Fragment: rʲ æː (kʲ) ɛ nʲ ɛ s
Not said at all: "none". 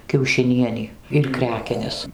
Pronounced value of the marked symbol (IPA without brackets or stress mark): kʲ